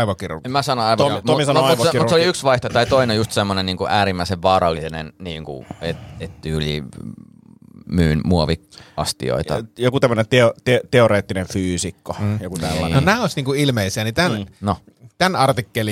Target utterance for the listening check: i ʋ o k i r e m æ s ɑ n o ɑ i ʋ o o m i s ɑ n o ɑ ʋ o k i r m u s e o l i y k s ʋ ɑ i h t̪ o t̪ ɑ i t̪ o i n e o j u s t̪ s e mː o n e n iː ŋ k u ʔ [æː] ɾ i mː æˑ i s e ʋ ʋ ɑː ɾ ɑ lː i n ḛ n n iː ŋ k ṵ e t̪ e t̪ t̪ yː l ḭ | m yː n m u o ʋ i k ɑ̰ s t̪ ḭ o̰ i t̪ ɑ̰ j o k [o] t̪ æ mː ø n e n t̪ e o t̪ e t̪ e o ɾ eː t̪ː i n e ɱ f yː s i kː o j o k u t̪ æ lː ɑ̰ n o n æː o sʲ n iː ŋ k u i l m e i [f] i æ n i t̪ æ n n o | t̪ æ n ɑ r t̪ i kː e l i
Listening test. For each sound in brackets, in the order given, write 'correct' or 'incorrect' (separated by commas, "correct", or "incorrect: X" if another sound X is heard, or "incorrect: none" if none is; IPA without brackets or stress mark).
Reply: correct, incorrect: u, incorrect: s